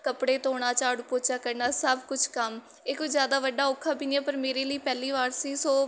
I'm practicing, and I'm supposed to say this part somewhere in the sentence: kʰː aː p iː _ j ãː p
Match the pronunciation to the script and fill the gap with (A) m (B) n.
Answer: B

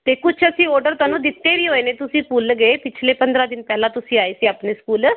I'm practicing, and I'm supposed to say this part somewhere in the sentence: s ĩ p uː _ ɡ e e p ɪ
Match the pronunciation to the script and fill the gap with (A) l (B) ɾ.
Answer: A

